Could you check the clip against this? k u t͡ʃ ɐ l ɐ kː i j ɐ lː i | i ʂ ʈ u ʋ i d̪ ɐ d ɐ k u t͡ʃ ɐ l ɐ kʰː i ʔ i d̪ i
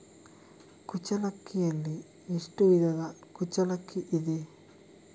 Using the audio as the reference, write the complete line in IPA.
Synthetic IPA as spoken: k u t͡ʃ ɐ l ɐ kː i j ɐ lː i | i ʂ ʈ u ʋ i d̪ ɐ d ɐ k u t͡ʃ ɐ l ɐ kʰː i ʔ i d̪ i